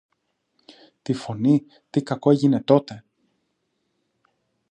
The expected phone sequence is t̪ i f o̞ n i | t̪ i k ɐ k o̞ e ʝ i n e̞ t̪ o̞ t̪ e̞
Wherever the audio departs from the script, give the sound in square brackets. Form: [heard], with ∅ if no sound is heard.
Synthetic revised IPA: t̪ i f o̞ n i | t̪ i k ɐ k o̞ e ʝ i n e̞ t̪ o̞ t̪ e̞